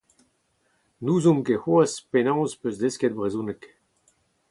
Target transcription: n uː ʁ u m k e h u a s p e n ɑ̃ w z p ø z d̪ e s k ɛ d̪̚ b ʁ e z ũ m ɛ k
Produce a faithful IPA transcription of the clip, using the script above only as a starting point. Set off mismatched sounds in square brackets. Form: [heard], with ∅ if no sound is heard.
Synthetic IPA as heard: n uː [z] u m k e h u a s p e n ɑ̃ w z p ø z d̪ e s k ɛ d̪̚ b ʁ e z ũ [n] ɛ k